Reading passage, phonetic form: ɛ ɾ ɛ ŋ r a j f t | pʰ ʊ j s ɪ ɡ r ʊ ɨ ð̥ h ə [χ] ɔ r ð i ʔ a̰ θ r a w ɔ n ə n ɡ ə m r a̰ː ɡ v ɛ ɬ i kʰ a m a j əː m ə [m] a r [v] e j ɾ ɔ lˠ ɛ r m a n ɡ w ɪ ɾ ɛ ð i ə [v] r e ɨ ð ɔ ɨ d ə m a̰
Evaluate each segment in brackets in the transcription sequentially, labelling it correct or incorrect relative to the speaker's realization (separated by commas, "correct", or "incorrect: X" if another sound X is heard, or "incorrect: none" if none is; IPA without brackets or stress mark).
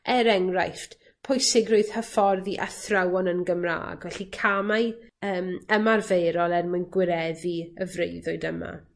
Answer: incorrect: f, correct, correct, correct